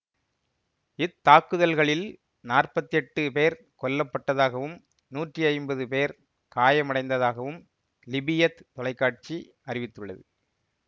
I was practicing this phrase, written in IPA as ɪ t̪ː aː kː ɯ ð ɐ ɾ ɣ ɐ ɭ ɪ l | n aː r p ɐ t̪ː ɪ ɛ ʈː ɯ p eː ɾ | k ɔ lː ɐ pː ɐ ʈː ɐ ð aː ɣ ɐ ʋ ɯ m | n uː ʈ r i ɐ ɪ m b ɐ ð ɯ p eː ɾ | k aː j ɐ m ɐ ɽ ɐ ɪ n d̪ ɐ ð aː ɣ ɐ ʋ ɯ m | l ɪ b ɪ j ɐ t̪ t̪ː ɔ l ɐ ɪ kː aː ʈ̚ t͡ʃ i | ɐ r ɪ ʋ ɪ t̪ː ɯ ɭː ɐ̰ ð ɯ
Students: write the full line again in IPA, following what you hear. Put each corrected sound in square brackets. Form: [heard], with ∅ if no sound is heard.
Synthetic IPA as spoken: ɪ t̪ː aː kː ɯ ð ɐ [l] ɣ ɐ ɭ ɪ l | n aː r p ɐ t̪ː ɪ ɛ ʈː ɯ p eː ɾ | k ɔ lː ɐ pː ɐ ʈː ɐ ð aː ɣ ɐ ʋ ɯ m | n uː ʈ r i ɐ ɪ m b ɐ ð ɯ p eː ɾ | k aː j ɐ m ɐ ɽ ɐ ɪ n d̪ ɐ ð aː ɣ ɐ ʋ ɯ m | l ɪ b ɪ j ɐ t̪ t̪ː ɔ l ɐ ɪ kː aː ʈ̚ t͡ʃ i | ɐ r ɪ ʋ ɪ t̪ː ɯ ɭː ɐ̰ ð ɯ